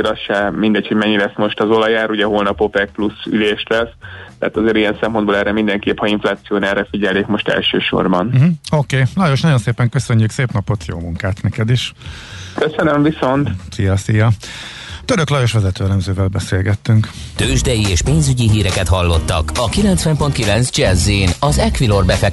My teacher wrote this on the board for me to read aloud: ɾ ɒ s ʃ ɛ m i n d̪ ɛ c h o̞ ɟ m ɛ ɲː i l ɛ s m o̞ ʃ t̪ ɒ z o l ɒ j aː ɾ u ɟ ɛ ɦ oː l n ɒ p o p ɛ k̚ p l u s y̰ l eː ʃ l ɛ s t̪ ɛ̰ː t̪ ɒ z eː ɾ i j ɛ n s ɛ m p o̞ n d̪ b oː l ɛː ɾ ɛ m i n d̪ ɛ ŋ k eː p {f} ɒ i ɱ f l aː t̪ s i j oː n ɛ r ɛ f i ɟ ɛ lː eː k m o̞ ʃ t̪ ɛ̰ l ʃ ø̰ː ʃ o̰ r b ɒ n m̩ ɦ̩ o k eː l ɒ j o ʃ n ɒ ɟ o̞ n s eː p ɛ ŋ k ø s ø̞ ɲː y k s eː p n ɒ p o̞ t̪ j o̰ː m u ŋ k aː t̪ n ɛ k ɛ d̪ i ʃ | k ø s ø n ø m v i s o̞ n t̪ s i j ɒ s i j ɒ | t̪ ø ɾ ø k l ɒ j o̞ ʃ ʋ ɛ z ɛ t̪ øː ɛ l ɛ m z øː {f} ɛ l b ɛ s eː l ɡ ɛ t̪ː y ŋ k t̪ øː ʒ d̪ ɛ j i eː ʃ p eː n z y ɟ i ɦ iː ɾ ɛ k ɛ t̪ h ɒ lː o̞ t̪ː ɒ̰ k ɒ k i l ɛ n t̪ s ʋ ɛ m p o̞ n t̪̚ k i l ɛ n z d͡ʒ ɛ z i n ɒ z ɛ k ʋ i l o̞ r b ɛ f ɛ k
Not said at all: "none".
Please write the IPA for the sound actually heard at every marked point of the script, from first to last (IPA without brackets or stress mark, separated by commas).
h, v